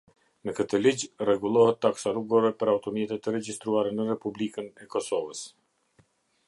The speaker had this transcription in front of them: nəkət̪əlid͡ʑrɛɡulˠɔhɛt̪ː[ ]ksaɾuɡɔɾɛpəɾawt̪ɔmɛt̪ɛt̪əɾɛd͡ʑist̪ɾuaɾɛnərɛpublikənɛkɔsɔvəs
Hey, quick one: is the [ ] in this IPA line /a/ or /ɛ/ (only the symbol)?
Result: a